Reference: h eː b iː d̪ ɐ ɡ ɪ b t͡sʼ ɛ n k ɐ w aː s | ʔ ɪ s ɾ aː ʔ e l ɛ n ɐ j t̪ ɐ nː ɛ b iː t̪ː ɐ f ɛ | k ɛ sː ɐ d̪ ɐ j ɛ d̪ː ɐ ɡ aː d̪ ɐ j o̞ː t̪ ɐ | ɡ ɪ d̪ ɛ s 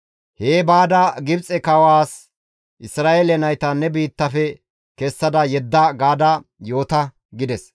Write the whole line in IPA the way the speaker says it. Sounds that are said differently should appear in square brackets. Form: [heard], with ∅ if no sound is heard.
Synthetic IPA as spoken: h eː b [aː] d̪ ɐ ɡ ɪ b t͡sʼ ɛ [∅] k ɐ w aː s | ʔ ɪ s ɾ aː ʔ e l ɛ n ɐ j t̪ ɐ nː ɛ b iː t̪ː ɐ f ɛ | k ɛ sː ɐ d̪ ɐ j ɛ d̪ː ɐ ɡ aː d̪ ɐ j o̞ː t̪ ɐ | ɡ ɪ d̪ ɛ s